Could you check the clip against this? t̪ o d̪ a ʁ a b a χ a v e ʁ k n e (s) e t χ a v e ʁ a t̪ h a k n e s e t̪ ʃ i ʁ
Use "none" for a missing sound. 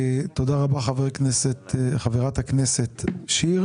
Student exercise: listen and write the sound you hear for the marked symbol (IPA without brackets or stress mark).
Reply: s